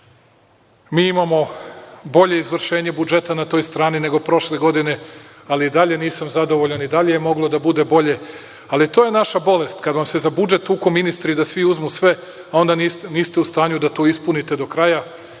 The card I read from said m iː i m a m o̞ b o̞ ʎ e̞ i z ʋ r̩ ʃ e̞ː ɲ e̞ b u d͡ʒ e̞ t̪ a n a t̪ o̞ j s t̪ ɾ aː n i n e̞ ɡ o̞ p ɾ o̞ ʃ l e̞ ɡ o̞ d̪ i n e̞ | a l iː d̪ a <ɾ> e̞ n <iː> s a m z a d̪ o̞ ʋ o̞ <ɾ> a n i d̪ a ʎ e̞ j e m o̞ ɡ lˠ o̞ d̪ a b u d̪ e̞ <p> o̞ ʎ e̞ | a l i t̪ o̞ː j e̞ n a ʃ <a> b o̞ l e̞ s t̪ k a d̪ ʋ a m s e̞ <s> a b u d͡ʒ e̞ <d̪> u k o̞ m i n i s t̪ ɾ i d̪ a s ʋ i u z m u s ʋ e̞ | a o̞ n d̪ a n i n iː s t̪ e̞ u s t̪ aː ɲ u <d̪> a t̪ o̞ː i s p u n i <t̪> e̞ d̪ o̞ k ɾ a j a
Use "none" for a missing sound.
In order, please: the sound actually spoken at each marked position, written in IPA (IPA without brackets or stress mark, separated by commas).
ʎ, iː, ʎ, b, a, z, t̪, d̪, t̪